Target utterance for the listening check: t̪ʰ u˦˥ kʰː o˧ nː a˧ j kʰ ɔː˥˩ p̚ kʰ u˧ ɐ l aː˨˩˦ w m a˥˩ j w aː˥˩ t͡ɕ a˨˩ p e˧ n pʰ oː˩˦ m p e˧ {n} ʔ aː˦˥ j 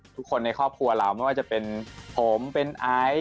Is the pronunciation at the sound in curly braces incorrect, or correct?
correct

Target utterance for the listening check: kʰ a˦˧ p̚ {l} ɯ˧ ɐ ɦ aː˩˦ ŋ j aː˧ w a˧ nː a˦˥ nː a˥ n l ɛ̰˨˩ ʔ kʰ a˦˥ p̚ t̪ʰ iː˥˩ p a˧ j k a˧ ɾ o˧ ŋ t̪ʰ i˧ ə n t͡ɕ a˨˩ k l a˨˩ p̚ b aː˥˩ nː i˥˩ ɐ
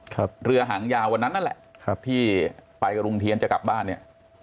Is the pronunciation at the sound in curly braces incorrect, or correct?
incorrect: ɾ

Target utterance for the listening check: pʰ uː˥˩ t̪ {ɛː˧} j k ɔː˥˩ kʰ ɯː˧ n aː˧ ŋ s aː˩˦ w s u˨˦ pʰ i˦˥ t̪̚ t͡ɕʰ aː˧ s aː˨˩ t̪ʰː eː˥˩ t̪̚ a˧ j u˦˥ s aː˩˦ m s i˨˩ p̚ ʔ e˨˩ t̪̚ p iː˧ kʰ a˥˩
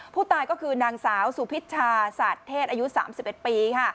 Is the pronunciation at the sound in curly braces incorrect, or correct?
incorrect: aː˧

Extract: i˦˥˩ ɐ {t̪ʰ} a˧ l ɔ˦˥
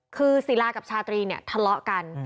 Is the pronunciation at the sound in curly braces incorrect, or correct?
correct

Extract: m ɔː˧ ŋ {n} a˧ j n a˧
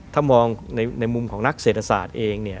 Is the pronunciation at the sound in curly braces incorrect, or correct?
correct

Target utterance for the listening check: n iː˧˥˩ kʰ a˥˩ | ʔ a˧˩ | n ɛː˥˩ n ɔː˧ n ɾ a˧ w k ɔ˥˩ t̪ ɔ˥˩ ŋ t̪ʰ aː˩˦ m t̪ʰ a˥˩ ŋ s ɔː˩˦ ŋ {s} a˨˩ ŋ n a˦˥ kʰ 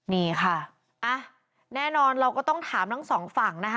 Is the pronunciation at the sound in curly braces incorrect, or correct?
incorrect: f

